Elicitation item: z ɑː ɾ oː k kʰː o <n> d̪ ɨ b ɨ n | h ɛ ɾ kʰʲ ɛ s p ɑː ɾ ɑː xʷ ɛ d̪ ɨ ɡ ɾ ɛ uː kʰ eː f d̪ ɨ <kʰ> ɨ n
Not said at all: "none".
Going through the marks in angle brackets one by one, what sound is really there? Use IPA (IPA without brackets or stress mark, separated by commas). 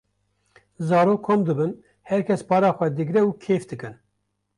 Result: m, k